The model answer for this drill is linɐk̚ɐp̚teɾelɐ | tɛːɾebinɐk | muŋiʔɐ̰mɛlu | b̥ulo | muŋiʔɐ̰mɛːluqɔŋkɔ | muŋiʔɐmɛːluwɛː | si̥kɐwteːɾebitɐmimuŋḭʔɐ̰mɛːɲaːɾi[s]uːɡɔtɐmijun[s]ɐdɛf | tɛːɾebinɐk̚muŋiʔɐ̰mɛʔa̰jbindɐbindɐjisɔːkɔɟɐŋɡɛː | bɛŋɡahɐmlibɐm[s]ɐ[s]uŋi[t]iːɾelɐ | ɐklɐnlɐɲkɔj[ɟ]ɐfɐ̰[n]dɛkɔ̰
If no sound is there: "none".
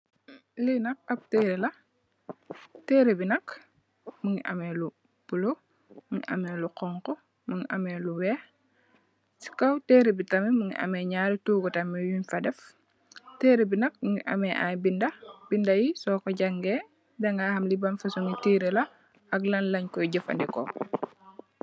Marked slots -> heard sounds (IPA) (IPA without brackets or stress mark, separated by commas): t, f, f, s, t, ɟ, n